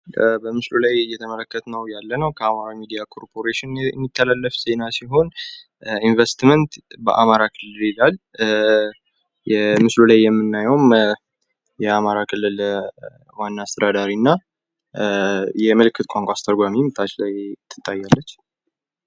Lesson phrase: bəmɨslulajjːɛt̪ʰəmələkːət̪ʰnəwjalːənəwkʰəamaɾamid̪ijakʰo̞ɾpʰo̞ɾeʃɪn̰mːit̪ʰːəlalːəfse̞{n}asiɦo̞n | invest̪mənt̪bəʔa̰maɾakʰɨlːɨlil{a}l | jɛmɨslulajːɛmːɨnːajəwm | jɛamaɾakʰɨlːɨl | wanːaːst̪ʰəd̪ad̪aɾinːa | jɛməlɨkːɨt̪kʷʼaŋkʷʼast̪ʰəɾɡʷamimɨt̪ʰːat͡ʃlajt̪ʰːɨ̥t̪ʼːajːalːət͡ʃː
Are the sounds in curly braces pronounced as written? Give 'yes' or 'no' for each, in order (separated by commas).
yes, yes